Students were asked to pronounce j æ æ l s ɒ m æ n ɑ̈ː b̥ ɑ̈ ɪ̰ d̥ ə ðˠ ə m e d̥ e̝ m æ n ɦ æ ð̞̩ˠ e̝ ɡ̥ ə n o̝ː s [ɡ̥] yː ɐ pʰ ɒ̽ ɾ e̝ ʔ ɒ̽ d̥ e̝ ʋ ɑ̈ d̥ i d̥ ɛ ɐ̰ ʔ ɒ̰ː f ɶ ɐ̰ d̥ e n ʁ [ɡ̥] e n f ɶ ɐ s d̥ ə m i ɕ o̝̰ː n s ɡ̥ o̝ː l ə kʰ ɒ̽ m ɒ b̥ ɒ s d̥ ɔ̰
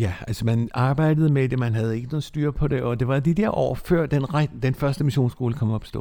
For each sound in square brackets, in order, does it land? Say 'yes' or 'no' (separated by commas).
no, no